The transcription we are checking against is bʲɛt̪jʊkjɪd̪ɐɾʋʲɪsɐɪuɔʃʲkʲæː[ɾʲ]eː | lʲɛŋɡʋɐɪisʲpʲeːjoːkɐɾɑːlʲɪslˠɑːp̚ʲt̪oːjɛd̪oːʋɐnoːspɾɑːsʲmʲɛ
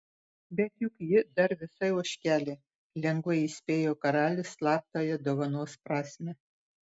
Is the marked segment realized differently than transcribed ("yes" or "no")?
yes